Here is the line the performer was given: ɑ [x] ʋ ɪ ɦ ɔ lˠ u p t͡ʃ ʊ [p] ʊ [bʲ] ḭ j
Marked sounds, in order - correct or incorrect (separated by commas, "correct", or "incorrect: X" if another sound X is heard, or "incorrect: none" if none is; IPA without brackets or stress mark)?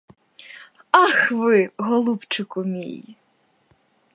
correct, incorrect: k, incorrect: mʲ